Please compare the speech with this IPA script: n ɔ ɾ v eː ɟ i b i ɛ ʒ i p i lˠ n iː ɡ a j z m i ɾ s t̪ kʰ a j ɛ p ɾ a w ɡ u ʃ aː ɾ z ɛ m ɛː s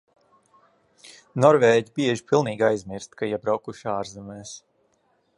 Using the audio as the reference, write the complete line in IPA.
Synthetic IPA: n ɔ ɾ v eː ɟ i b i ɛ ʒ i p i lˠ n iː ɡ a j z m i ɾ s t̪ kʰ a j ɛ b ɾ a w k u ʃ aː ɾ z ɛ m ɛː s